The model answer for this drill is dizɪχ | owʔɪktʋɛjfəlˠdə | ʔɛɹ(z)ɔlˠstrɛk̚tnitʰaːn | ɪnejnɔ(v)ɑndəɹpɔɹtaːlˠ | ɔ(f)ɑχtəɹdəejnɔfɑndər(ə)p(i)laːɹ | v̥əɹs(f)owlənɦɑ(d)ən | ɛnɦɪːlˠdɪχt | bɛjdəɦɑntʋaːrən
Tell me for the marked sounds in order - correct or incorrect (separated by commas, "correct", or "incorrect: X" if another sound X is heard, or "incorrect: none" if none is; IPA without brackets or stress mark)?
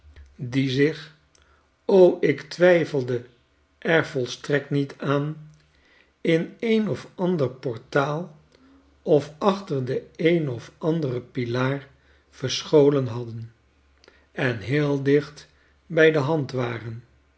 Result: incorrect: v, incorrect: f, correct, correct, correct, incorrect: χ, correct